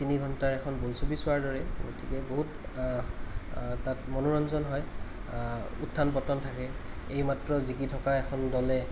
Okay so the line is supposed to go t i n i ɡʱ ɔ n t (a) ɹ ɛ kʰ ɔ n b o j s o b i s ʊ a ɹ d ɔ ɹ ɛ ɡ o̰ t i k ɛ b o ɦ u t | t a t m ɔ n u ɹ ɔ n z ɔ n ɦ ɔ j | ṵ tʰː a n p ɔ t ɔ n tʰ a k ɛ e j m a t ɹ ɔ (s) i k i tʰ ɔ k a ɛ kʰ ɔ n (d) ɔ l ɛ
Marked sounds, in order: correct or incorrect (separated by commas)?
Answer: correct, incorrect, correct